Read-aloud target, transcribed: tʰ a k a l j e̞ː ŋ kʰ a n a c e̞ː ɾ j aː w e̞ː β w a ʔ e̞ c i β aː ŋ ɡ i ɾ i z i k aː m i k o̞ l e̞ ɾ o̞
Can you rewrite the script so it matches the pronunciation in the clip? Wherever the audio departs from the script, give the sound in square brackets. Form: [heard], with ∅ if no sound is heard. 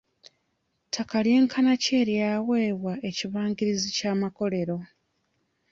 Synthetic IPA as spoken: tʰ a k a l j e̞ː ŋ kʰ a n a c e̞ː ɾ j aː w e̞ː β w a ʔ e̞ c i β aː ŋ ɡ i ɾ i z i [c] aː m [a] k o̞ l e̞ ɾ o̞